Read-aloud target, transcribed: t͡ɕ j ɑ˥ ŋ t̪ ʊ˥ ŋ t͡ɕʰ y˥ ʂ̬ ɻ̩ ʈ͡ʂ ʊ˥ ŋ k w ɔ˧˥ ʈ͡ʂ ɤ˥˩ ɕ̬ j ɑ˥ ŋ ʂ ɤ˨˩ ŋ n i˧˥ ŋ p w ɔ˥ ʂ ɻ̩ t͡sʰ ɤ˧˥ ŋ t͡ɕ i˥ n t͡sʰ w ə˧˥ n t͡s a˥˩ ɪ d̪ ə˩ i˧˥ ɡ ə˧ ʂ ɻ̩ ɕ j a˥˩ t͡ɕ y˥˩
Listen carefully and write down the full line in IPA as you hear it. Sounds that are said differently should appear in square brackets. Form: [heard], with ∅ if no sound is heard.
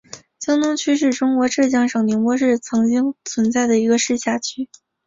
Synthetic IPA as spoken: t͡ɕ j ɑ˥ ŋ t̪ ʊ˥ ŋ t͡ɕʰ y˥ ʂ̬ ɻ̩ ʈ͡ʂ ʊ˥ ŋ k w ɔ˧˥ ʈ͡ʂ ɤ˥˩ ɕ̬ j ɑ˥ ŋ ʂ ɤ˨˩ ŋ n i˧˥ ŋ p w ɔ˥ ʂ ɻ̩ t͡sʰ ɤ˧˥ ŋ t͡ɕ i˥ [ŋ] t͡sʰ w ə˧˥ n t͡s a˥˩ ɪ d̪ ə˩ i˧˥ ɡ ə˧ ʂ ɻ̩ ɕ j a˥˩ [t͡ɕʰ] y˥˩